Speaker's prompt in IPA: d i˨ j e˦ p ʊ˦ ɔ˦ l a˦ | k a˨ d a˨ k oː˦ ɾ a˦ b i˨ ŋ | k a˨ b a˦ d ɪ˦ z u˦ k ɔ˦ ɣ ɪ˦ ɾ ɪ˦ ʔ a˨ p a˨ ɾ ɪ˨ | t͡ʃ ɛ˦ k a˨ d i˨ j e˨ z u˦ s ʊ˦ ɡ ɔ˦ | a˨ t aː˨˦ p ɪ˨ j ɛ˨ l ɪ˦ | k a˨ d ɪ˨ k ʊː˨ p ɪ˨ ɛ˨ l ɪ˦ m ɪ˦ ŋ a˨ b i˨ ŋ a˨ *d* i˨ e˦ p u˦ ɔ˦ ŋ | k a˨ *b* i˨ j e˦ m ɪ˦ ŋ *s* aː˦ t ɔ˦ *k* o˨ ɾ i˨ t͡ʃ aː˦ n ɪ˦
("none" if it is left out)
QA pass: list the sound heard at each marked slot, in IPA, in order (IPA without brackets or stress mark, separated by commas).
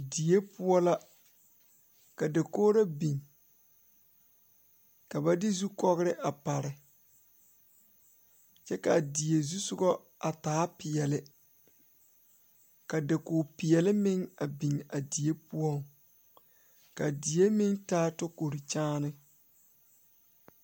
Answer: d, d, t, k